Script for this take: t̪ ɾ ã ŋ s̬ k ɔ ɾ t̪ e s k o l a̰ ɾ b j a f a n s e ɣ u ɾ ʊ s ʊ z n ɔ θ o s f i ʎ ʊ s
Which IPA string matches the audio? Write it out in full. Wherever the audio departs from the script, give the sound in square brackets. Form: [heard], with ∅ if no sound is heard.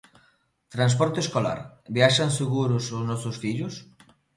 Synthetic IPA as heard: t̪ ɾ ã [n] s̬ [p] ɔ ɾ t̪ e s k o l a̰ ɾ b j a [ʃ] a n s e ɣ u ɾ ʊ s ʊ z n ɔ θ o s f i ʎ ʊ s